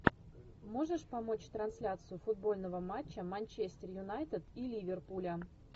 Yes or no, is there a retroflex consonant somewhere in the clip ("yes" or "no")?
yes